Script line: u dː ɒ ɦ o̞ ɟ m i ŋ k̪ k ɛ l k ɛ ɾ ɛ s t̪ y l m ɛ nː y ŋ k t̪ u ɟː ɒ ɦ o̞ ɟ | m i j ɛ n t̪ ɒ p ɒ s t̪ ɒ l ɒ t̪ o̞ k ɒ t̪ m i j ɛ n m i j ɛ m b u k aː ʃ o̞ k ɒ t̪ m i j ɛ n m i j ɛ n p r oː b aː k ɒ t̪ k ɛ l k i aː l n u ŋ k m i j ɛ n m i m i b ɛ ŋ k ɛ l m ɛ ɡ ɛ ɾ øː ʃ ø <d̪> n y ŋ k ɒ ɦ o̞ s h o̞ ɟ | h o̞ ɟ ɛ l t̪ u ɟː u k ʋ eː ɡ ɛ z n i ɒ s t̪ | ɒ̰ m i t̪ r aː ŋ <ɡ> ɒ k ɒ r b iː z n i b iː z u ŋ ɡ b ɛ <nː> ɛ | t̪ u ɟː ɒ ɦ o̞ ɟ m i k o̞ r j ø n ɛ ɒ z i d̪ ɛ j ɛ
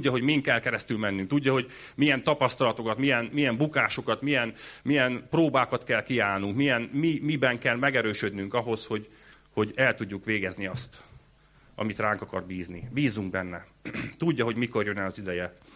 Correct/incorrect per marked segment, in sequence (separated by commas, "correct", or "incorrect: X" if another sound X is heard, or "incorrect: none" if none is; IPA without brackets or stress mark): correct, incorrect: k, correct